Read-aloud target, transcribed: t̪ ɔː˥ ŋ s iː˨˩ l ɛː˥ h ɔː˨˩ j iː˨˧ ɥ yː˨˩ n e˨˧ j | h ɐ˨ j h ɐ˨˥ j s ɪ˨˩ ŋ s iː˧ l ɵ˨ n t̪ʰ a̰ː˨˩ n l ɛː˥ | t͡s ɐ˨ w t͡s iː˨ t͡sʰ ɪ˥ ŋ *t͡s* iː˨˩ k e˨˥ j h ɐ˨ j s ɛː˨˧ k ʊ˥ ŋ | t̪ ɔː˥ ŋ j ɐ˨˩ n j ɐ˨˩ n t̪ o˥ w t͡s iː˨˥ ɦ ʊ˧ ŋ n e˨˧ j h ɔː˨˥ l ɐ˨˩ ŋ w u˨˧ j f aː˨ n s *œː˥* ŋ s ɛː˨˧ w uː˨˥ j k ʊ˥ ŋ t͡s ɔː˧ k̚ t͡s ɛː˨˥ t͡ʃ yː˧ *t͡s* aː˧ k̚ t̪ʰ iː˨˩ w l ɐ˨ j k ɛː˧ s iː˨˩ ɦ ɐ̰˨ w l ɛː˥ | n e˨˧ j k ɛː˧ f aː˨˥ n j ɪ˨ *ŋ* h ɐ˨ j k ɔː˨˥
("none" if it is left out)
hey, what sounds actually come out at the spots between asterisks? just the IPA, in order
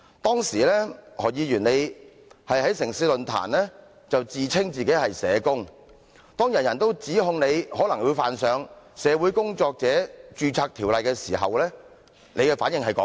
t͡s, œː˨˧, t͡sʰ, ŋ

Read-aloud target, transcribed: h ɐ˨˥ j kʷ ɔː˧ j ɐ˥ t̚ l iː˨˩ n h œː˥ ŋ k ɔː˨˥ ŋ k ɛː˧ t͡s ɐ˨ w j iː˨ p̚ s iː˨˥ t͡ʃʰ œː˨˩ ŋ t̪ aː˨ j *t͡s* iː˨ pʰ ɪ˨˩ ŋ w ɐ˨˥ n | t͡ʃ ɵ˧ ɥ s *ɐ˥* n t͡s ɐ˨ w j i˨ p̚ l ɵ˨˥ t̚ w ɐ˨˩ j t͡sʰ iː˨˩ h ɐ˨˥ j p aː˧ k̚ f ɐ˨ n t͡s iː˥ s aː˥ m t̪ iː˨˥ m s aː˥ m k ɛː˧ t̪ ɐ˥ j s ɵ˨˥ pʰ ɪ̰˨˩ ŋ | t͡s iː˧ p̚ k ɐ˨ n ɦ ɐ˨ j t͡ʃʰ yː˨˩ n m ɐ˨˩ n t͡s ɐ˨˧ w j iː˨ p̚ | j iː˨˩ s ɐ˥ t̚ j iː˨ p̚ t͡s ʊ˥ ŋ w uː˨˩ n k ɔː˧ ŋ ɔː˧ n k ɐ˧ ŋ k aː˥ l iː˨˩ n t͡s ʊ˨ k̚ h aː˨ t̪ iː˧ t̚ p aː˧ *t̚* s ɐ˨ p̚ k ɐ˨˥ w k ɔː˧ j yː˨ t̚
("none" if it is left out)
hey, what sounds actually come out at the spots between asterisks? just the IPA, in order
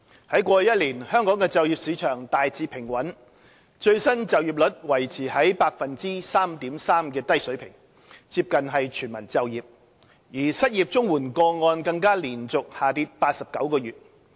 t͡s, ɐ˥, t̚

